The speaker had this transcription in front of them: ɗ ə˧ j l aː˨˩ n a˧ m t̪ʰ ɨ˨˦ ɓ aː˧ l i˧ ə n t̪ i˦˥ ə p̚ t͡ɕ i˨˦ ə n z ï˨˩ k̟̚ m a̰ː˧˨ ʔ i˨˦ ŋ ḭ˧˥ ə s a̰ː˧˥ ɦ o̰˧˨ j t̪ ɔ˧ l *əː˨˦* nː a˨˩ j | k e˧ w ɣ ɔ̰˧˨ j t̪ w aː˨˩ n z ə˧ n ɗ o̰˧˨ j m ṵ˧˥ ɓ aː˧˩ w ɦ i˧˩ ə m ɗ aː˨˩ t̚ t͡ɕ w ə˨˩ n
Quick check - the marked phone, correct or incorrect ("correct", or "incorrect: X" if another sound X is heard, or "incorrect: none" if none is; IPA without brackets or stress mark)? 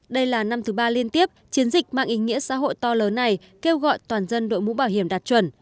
correct